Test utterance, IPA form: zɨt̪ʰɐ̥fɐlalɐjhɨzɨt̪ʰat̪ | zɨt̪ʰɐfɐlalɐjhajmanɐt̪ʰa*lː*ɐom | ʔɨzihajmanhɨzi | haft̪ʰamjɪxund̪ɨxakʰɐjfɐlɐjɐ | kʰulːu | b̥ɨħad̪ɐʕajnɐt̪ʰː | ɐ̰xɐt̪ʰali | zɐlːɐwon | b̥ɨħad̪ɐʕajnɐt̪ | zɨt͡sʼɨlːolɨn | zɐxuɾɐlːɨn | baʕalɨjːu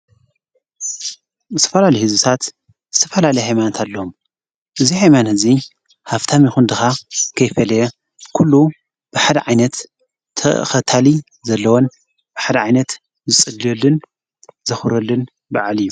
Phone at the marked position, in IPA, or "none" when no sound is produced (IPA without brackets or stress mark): lː